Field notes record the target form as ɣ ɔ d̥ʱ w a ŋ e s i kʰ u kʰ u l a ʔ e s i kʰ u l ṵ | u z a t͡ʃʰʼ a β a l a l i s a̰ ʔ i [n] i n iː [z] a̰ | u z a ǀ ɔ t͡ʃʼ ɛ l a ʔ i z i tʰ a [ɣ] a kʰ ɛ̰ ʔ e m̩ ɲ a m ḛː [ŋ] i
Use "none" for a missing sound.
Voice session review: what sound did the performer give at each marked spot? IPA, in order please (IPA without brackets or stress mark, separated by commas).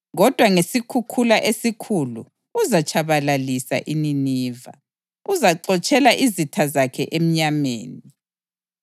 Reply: n, v, z, n